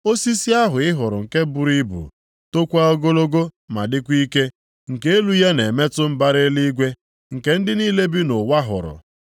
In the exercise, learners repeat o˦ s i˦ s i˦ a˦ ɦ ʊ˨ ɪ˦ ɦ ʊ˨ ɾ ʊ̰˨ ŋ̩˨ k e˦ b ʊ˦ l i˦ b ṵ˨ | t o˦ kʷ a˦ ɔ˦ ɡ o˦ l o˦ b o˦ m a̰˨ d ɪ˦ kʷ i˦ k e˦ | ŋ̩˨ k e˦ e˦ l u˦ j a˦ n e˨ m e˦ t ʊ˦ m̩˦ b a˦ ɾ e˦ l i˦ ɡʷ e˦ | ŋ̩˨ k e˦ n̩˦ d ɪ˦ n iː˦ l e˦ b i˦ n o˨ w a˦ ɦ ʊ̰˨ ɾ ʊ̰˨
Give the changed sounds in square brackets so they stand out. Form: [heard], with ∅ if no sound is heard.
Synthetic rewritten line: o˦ s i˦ s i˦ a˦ ɦ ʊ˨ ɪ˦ ɦ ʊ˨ ɾ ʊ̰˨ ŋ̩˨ k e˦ b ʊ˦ [ɾ] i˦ b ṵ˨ | t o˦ kʷ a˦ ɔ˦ ɡ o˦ l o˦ [ɡ] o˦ m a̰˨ d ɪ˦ kʷ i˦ k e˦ | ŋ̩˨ k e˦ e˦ l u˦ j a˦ n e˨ m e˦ t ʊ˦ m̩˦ b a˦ ɾ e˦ l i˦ ɡʷ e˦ | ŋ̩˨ k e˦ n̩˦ d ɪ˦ n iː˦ l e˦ b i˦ n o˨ w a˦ ɦ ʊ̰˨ ɾ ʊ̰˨

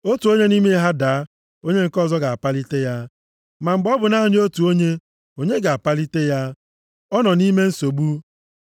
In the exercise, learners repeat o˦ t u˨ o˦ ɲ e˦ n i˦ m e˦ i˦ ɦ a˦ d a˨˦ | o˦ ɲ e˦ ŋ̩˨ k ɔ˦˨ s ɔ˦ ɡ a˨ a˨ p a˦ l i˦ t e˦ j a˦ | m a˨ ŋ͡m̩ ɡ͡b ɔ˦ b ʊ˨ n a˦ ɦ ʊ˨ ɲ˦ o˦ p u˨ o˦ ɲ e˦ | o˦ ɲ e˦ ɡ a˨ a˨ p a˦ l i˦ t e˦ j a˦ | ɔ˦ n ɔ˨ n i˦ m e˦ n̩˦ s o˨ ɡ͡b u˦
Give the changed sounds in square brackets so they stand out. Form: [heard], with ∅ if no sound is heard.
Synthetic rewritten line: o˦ t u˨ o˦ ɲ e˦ n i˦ m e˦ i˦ ɦ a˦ d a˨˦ | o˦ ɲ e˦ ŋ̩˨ k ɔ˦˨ [z] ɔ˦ ɡ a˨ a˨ p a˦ l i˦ t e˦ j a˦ | m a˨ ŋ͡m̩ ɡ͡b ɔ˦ b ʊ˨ n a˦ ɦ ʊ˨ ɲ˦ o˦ [t] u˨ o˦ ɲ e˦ | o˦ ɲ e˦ ɡ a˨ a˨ p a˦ l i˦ t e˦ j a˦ | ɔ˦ n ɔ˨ n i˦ m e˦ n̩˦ s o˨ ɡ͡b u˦

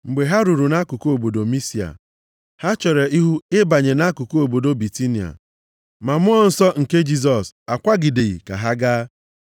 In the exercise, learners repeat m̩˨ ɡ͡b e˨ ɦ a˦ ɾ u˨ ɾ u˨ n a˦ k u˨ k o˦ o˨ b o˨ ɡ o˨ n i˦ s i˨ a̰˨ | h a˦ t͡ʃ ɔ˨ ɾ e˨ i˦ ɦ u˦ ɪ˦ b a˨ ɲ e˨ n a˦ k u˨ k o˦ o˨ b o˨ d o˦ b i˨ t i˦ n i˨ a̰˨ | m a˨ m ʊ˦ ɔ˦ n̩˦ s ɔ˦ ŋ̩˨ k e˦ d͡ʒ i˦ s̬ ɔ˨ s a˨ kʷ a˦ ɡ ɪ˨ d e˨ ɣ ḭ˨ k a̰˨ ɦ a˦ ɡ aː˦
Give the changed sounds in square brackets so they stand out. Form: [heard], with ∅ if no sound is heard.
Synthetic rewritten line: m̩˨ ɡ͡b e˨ ɦ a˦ ɾ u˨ ɾ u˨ n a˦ k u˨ k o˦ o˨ b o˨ [d] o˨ [m] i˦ s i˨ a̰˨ | h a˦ t͡ʃ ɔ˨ ɾ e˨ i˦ ɦ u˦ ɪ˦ b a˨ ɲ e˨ n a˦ k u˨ k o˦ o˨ b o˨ d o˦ b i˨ t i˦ n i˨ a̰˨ | m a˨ m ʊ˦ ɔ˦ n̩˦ s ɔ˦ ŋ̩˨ k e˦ d͡ʒ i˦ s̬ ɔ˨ s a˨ kʷ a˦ ɡ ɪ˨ d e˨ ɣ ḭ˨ k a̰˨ ɦ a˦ ɡ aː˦

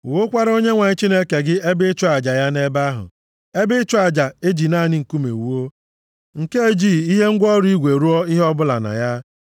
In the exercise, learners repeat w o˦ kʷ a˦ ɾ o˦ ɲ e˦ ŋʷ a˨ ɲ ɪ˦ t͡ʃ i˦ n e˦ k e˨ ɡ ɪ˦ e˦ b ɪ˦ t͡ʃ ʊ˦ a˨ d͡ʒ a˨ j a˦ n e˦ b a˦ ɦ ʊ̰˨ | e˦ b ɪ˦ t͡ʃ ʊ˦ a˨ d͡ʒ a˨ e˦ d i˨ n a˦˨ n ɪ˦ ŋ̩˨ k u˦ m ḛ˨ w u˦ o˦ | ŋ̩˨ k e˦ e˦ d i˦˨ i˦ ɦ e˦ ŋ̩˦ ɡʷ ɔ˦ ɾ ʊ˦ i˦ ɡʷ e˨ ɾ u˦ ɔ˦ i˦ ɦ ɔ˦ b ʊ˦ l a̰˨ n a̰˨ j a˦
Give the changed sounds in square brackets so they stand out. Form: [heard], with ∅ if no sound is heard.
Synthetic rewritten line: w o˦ kʷ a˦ ɾ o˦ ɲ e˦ ŋʷ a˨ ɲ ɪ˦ t͡ʃ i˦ n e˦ k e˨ ɡ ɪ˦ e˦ b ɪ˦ t͡ʃ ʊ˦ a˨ d͡ʒ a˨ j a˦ n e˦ b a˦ ɦ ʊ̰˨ | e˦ b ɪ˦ t͡ʃ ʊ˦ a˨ d͡ʒ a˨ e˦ [d͡ʒ] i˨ n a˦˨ n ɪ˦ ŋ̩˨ k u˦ m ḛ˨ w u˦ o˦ | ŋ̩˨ k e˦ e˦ [d͡ʒ] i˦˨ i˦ ɦ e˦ ŋ̩˦ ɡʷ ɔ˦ ɾ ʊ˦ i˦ ɡʷ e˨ ɾ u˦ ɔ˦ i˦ ɦ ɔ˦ b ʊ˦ l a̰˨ n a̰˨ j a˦

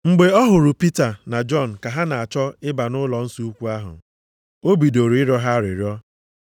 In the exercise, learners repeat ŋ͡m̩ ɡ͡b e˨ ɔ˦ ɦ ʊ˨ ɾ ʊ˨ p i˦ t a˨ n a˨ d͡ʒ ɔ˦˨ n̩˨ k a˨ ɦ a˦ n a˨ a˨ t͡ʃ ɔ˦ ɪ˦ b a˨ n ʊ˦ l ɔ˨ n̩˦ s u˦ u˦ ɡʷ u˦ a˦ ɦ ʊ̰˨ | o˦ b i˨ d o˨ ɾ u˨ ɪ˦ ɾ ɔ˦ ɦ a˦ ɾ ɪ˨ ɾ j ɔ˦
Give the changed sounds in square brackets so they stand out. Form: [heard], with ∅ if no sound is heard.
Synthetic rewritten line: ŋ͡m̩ ɡ͡b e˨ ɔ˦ ɦ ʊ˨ ɾ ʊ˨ p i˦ t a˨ n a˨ d͡ʒ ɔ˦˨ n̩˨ k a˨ ɦ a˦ n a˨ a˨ t͡ʃ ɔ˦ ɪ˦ b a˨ n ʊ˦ l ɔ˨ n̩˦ s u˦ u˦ [kʷ] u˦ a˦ ɦ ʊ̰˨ | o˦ b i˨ d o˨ ɾ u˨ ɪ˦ ɾ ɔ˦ ɦ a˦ ɾ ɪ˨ ɾ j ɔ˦

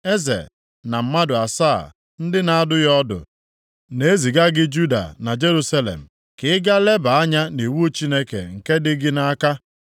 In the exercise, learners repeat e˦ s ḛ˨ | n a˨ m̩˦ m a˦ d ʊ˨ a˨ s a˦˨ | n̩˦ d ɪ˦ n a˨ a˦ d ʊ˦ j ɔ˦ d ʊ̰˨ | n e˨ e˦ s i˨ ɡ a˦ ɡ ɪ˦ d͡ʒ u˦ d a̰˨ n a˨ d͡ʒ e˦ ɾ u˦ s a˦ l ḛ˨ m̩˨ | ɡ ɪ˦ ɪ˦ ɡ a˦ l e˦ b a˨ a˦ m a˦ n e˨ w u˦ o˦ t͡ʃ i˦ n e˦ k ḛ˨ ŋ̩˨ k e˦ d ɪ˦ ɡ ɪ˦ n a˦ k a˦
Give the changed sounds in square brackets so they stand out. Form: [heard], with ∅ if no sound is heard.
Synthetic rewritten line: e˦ [z] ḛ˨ | n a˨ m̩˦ m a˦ d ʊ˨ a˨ s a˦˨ | n̩˦ d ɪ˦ n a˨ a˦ d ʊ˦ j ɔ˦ d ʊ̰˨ | n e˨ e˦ [z] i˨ ɡ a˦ ɡ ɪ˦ d͡ʒ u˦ d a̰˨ n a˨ d͡ʒ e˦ ɾ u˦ s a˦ l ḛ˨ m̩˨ | [k] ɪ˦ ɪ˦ ɡ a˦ l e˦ b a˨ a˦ [ɲ] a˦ n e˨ w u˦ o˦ t͡ʃ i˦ n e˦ k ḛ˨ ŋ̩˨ k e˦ d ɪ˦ ɡ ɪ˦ n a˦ k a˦

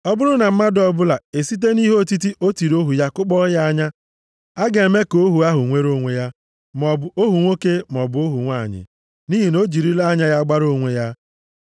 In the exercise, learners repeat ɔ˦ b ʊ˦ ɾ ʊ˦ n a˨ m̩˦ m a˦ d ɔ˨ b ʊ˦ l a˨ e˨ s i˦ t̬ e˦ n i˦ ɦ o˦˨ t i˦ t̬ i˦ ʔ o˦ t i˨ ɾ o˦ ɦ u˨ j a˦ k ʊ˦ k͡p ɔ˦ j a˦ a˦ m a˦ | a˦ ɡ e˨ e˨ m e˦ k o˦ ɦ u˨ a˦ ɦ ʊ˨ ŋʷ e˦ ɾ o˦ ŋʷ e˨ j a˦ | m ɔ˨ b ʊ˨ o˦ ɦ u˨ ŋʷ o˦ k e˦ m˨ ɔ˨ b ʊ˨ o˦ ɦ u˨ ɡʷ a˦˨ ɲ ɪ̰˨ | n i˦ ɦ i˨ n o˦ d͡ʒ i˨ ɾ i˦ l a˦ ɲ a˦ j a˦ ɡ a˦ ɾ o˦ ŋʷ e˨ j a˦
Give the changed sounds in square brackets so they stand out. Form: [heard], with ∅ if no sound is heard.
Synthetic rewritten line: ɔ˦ b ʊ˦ ɾ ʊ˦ n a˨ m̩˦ m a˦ d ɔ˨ b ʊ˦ l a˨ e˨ s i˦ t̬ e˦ n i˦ ɦ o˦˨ t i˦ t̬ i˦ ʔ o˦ t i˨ ɾ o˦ ɦ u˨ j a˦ k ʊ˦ k͡p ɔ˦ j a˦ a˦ [ɲ] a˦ | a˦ ɡ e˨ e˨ m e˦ k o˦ ɦ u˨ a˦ ɦ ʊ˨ ŋʷ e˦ ɾ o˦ ŋʷ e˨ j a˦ | m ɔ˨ b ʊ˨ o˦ ɦ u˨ ŋʷ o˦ k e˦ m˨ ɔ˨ b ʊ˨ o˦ ɦ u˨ [ŋʷ] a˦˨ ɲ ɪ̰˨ | n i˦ ɦ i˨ n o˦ d͡ʒ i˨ ɾ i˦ l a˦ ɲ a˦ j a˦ [ɡ͡b] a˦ ɾ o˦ ŋʷ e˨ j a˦

